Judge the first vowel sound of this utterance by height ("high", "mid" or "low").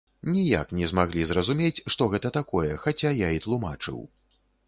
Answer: high